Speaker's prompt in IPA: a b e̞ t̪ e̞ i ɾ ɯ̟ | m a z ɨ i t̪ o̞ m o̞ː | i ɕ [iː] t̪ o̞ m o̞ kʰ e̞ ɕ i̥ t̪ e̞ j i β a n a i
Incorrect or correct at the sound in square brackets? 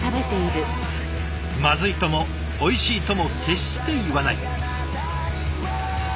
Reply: correct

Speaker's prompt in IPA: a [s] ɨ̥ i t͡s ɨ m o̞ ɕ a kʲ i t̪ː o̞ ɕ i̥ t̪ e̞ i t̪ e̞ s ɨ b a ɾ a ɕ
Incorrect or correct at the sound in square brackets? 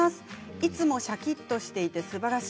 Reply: correct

